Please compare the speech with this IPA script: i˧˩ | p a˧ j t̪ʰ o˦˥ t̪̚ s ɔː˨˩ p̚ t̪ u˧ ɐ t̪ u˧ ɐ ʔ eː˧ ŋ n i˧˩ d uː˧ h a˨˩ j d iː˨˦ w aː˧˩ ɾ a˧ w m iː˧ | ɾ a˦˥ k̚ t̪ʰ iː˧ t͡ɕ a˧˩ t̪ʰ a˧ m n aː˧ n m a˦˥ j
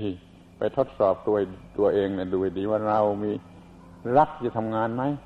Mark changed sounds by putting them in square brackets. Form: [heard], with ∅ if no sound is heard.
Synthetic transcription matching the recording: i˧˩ | p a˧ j t̪ʰ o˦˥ t̪̚ s ɔː˨˩ p̚ t̪ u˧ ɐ t̪ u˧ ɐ ʔ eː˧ ŋ n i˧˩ d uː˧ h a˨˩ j d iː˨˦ w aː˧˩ ɾ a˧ w m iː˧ | ɾ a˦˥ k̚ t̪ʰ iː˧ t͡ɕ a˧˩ t̪ʰ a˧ m [ŋ] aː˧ n m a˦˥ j